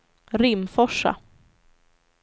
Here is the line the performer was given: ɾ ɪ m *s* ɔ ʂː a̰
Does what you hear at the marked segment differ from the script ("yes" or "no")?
yes